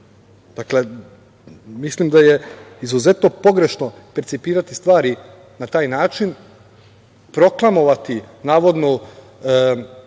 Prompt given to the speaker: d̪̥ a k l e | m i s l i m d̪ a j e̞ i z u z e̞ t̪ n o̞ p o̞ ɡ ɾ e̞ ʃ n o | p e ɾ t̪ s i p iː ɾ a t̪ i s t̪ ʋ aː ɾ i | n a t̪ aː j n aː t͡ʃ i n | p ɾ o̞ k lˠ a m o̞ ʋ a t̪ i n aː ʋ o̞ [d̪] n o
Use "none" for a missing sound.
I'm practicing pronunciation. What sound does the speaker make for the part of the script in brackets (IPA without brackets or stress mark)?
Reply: d̪